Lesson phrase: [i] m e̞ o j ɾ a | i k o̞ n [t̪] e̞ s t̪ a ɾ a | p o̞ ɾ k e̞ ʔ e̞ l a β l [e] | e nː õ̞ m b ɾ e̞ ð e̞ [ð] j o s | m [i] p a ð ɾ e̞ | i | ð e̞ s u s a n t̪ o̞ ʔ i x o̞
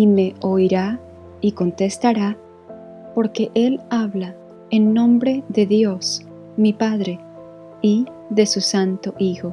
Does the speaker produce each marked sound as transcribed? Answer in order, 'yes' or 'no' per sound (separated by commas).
yes, yes, no, yes, yes